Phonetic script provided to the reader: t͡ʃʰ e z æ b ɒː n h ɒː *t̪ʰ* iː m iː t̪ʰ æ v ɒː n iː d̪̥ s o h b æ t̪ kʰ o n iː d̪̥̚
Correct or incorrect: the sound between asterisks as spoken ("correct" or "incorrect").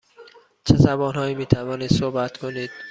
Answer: incorrect